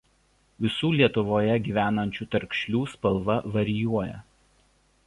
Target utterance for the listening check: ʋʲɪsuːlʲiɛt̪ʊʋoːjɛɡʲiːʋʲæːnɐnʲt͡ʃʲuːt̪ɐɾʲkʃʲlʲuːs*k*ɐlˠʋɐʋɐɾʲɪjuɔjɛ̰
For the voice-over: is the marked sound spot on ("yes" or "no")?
no